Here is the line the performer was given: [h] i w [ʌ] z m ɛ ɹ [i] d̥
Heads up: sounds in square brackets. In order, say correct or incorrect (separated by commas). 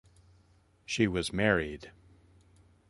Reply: incorrect, correct, correct